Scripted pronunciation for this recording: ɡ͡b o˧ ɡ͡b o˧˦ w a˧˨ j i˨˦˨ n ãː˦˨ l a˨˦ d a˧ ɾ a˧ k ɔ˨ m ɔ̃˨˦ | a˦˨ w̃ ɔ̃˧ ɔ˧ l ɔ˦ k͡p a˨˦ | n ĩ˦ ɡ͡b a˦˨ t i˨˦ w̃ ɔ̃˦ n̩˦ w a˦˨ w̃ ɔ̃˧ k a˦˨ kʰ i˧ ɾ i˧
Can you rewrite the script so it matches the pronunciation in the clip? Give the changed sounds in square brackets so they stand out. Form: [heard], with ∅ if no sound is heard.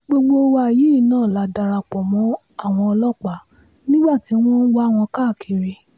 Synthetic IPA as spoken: ɡ͡b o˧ ɡ͡b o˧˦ w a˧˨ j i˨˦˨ n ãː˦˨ l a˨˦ d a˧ ɾ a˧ [k͡p] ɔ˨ m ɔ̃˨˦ | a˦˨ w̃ ɔ̃˧ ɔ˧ l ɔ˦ k͡p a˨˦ | n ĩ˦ ɡ͡b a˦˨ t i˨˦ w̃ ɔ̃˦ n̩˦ w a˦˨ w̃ ɔ̃˧ k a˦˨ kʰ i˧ ɾ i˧